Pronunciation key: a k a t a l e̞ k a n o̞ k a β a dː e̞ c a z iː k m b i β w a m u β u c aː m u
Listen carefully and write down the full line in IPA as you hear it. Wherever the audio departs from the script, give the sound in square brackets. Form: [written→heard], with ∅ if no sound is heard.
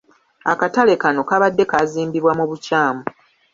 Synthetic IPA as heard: a k a t a l e̞ k a n o̞ k a β a dː e̞ [c→k] a z iː [k→∅] m b i β w a m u β u c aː m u